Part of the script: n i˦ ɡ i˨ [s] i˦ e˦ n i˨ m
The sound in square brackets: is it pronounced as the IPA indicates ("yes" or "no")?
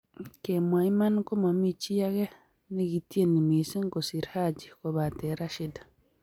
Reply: no